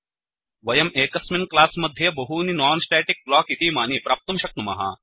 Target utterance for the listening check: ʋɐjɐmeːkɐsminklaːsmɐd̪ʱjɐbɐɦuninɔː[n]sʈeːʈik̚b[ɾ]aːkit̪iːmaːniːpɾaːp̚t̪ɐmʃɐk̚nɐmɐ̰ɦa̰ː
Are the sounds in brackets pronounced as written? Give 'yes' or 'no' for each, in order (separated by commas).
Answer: yes, no